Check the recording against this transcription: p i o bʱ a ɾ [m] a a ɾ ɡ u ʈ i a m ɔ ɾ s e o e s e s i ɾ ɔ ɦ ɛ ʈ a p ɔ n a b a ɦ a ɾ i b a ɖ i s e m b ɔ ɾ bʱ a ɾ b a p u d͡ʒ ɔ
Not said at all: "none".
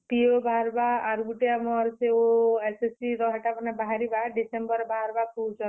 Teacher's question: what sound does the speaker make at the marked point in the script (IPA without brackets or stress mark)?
b